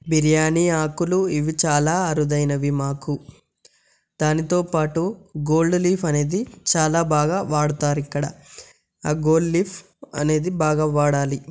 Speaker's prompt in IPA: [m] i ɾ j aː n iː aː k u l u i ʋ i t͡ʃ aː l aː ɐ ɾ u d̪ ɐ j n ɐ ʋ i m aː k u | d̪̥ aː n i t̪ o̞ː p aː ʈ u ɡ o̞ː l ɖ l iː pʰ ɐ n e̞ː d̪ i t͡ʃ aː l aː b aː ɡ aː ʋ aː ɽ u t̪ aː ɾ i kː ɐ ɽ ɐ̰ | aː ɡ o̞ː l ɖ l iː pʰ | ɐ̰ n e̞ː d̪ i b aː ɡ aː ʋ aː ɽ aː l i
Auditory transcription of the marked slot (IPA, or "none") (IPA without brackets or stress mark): b